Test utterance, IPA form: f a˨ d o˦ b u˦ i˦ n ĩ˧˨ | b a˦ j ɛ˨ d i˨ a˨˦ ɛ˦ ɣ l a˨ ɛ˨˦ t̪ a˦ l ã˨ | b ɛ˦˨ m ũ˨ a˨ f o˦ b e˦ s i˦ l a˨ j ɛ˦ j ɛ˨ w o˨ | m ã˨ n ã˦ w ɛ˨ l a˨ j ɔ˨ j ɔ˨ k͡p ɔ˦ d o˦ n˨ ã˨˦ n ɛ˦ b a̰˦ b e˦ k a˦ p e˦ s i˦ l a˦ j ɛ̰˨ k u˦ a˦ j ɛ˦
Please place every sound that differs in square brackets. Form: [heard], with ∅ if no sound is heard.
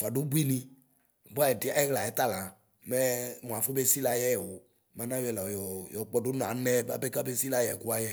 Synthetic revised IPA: f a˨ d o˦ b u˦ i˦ n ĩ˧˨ | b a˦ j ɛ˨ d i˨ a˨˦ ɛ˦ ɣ l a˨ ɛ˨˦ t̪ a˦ l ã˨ | [m] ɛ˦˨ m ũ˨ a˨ f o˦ b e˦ s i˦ l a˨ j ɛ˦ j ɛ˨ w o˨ | m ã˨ n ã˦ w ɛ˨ l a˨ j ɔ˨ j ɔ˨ k͡p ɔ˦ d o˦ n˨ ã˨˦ n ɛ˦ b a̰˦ b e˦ k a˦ [b] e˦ s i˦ l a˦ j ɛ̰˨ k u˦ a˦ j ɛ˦